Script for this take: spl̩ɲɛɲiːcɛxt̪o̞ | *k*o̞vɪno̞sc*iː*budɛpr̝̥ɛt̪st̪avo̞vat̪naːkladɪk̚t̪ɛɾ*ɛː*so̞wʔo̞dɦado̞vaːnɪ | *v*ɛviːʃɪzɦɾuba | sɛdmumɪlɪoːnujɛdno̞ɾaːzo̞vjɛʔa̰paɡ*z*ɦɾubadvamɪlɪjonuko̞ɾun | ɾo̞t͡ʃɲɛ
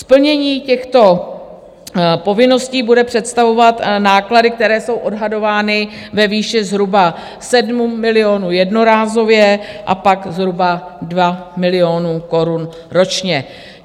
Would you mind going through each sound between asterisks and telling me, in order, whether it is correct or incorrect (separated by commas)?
incorrect, correct, correct, correct, correct